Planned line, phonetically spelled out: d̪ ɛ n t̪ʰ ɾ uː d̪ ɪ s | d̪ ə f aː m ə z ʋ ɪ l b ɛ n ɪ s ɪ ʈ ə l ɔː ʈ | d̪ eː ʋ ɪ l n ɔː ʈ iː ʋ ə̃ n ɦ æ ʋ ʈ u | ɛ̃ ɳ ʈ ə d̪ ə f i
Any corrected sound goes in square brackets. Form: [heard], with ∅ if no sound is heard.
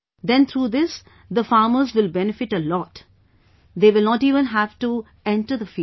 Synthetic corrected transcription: d̪ [ɛ̃] n t̪ʰ ɾ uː d̪ ɪ s | d̪ ə f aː m ə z ʋ ɪ l b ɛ n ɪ [f] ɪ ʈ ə l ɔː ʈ | d̪ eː ʋ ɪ l n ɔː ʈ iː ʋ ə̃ n ɦ æ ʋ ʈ u | ɛ̃ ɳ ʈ ə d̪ ə f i